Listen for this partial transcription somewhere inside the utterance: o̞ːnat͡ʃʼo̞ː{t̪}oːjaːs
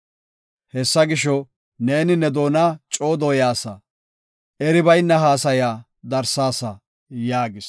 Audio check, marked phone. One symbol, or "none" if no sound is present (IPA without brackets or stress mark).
d̪